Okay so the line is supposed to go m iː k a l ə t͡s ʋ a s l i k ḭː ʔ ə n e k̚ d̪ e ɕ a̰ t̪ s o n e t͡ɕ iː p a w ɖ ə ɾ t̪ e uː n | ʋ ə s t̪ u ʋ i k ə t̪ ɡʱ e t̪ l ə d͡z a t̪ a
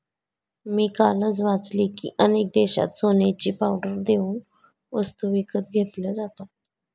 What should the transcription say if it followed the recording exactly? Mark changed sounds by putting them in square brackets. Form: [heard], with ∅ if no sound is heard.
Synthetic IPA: m iː k a l ə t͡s ʋ a [t͡s] l i k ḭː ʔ ə n e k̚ d̪ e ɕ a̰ t̪ s o n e t͡ɕ iː p a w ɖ ə ɾ [d̪] e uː n | ʋ ə s t̪ u ʋ i k ə t̪ ɡʱ e t̪ l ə d͡z a t̪ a